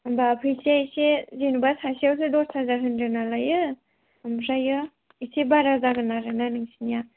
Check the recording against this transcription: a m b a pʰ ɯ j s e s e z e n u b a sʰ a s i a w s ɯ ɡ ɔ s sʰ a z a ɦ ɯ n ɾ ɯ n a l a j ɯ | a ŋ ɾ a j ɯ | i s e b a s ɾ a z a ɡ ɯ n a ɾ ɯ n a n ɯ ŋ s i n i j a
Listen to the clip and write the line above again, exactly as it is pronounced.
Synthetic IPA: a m b a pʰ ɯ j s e s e z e n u b a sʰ a s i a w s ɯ d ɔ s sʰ a z a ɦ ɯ n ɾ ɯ n a l a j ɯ | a m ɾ a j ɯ | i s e b a ɾ a z a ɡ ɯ n a ɾ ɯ n a n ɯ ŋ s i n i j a